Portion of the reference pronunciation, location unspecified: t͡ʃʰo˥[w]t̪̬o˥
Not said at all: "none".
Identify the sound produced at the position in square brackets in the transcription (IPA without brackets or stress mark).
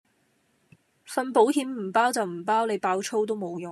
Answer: w